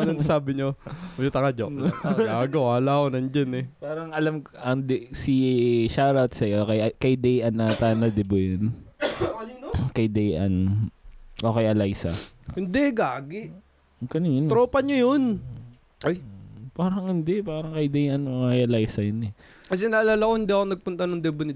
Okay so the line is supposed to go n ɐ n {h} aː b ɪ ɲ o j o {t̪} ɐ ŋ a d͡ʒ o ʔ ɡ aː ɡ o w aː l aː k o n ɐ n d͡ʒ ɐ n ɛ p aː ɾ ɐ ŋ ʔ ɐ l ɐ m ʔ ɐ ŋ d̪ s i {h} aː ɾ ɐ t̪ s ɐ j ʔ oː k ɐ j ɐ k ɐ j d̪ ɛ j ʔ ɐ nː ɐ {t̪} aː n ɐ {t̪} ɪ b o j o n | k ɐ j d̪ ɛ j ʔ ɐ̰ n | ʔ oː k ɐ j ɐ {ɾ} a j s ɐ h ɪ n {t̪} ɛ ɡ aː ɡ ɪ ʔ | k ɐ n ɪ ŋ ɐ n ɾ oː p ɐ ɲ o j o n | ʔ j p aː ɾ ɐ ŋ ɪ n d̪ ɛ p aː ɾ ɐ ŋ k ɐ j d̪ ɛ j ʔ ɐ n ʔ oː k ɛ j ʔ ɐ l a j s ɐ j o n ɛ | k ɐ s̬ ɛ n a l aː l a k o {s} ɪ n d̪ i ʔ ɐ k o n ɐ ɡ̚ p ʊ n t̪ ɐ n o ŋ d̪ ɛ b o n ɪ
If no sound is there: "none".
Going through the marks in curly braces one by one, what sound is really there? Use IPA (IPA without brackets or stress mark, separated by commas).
s, t̪, ʃ, t̪, d̪, l, d̪, h